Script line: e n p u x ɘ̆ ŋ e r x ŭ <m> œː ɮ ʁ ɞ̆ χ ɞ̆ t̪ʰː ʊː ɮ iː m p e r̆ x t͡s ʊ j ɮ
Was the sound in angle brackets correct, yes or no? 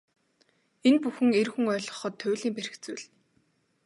no